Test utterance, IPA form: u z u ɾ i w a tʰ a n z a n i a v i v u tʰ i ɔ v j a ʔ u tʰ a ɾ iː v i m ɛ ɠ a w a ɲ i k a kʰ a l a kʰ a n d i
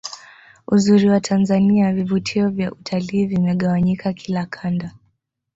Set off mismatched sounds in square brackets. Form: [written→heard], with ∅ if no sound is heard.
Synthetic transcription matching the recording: u z u ɾ i w a tʰ a n z a n i a v i v u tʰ i ɔ v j a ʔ u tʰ a [ɾ→l] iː v i m ɛ ɠ a w a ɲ i k a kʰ [a→i] l a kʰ a n d [i→a]